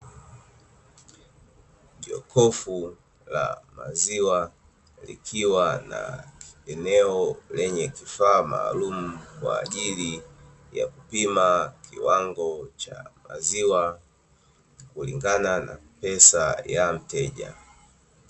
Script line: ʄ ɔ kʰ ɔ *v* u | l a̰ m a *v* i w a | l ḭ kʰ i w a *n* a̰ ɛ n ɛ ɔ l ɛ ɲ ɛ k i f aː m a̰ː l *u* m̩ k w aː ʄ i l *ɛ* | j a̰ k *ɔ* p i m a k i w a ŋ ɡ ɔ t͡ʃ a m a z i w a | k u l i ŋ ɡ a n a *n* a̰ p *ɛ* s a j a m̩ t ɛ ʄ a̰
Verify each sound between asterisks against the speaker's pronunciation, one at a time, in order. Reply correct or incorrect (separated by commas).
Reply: incorrect, incorrect, correct, correct, incorrect, incorrect, correct, correct